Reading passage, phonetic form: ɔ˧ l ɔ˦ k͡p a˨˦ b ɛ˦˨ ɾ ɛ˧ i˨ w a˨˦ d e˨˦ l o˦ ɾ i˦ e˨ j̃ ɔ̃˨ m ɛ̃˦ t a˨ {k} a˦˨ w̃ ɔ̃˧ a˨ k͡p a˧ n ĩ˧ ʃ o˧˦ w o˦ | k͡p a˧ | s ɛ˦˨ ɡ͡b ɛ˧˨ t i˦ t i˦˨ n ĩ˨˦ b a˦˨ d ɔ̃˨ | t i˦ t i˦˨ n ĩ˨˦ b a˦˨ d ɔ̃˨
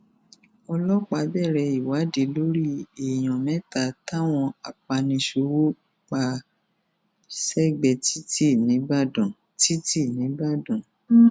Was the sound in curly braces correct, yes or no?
no